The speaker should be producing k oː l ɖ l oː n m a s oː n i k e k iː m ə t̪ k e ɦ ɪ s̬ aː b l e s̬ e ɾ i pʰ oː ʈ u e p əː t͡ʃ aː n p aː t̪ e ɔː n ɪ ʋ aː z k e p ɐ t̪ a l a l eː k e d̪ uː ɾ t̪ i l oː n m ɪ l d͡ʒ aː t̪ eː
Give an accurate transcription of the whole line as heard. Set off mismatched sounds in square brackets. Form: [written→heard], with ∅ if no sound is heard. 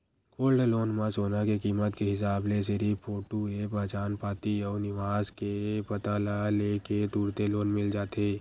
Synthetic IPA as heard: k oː l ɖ l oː n m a s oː n [i→a] k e k iː m ə t̪ k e ɦ ɪ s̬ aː b l e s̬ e ɾ i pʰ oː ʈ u e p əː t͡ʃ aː n p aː t̪ [e→i] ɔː n ɪ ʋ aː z k e p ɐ t̪ a l a l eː k e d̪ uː ɾ t̪ [i→e] l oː n m ɪ l d͡ʒ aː t̪ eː